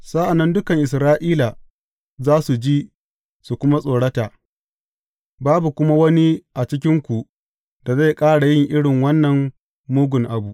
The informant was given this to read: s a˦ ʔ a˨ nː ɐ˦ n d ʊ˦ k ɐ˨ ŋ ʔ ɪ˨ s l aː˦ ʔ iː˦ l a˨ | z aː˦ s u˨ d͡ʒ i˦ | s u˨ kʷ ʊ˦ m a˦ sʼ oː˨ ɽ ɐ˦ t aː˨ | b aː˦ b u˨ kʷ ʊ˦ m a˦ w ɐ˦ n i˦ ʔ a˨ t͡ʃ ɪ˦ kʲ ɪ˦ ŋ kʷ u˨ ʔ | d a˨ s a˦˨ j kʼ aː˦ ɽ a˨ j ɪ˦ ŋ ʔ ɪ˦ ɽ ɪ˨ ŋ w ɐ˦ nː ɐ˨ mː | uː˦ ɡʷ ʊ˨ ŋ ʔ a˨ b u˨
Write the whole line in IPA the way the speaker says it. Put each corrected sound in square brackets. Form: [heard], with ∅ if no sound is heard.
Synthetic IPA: s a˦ ʔ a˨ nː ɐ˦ n d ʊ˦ k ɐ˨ ŋ ʔ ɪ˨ s [ɾ] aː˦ ʔ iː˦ l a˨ | z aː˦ s u˨ d͡ʒ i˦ | s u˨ kʷ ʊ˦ m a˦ sʼ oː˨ ɽ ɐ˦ t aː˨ | b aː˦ b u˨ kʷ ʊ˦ m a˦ w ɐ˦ n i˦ ʔ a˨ t͡ʃ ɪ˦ kʲ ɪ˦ ŋ kʷ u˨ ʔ | d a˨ [z] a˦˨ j kʼ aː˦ ɽ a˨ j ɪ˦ ŋ ʔ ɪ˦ ɽ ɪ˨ ŋ w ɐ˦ nː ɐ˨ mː | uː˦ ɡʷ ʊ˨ ŋ ʔ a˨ b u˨